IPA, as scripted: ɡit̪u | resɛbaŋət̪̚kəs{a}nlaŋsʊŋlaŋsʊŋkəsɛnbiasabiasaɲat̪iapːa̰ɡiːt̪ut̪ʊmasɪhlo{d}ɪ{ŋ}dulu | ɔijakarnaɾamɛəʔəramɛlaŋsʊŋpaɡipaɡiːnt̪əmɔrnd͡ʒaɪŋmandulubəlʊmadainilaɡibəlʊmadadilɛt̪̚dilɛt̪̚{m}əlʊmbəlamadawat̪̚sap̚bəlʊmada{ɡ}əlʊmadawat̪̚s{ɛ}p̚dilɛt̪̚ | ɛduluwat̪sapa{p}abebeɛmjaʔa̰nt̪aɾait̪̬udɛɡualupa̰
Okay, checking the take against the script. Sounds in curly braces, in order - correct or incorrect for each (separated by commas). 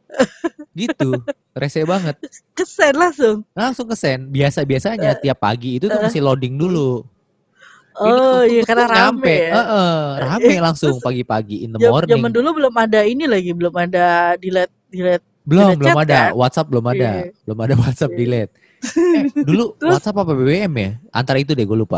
incorrect, correct, correct, incorrect, incorrect, incorrect, correct